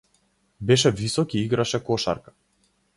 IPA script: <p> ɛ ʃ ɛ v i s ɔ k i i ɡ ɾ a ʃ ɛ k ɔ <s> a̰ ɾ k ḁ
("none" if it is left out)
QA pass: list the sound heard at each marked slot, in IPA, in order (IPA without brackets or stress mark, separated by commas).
b, ʃ